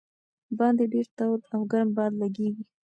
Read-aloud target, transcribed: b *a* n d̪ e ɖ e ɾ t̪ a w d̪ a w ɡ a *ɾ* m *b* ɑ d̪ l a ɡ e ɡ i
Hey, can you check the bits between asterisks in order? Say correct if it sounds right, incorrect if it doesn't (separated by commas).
incorrect, correct, correct